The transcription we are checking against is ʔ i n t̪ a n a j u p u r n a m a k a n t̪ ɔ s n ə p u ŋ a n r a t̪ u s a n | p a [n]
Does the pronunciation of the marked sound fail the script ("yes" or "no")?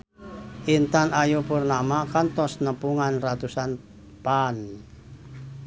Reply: no